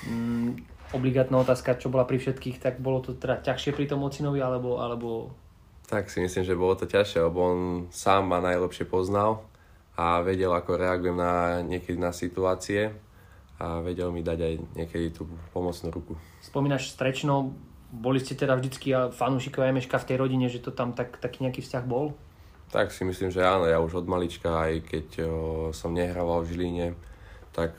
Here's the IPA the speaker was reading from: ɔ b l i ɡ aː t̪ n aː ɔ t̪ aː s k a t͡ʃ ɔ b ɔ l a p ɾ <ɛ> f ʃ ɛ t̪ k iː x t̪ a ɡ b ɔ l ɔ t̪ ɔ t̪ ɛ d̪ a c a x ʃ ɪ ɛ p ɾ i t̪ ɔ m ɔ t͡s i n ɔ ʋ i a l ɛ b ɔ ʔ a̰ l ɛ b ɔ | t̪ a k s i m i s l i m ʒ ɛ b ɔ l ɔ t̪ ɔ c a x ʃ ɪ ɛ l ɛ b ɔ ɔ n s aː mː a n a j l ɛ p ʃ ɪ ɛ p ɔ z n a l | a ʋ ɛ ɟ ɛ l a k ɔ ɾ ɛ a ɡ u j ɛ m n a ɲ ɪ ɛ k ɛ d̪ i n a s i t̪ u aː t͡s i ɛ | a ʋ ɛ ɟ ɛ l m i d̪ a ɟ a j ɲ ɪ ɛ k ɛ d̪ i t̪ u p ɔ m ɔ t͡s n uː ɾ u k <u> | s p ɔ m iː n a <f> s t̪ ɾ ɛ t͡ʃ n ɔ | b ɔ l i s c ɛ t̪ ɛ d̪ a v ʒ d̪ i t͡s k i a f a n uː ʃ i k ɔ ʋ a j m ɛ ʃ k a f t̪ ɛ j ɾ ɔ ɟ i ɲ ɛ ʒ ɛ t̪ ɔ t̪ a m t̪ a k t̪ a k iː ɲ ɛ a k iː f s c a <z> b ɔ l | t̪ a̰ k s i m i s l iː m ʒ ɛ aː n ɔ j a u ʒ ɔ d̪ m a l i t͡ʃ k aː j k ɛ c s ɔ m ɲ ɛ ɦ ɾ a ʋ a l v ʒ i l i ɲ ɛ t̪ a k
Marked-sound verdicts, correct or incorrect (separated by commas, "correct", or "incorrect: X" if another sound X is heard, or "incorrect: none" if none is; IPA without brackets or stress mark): incorrect: i, correct, incorrect: ʃ, incorrect: ɣ